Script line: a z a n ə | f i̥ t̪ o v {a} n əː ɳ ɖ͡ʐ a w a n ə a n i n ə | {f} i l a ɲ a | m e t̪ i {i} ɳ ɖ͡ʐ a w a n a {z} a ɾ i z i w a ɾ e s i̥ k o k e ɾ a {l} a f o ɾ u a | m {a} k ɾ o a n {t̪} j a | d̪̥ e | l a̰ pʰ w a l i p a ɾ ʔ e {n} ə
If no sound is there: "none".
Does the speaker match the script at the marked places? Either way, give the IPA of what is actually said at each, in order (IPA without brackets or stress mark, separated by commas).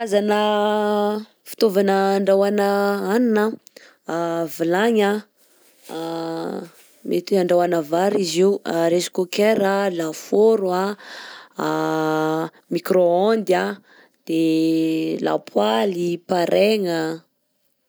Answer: a, v, a, v, l, i, d̪, ŋ